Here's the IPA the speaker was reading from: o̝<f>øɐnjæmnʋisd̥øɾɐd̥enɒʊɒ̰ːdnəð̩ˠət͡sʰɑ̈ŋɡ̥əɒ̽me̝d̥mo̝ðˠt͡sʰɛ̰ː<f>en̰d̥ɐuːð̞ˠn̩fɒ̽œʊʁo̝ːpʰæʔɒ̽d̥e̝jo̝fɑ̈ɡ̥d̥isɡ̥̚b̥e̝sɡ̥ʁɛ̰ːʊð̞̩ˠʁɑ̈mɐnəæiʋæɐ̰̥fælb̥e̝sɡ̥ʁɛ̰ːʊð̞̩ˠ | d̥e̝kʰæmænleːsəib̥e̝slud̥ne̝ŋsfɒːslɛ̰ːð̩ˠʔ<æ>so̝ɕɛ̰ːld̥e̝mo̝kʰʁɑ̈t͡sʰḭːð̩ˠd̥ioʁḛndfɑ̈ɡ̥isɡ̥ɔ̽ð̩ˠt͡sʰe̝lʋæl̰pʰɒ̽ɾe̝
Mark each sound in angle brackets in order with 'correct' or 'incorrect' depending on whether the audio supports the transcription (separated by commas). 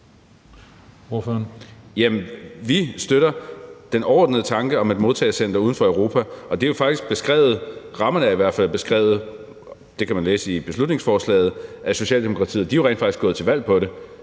correct, incorrect, correct